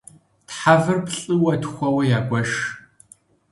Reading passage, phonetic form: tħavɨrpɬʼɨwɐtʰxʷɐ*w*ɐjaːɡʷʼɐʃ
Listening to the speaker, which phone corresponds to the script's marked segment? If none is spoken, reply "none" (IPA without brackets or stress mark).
w